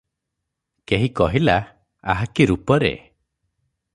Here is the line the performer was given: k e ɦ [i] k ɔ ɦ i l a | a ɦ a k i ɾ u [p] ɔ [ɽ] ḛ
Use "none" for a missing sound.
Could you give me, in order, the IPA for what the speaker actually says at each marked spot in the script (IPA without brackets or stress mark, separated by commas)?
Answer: i, p, ɾ